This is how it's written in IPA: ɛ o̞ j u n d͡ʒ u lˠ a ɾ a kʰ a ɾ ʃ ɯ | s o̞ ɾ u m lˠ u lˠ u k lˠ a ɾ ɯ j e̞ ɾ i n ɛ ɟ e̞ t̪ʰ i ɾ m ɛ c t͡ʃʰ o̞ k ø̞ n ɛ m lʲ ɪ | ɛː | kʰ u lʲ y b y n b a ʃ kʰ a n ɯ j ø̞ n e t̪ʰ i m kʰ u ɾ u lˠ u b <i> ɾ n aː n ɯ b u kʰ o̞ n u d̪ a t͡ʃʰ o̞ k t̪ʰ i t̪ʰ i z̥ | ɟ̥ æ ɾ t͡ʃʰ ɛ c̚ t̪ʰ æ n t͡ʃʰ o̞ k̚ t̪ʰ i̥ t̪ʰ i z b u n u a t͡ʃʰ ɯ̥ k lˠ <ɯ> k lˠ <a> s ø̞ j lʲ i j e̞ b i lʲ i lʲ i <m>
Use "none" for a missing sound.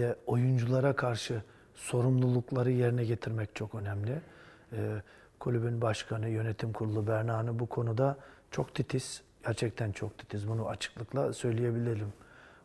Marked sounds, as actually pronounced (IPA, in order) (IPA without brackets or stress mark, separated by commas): æ, ɯ, a, m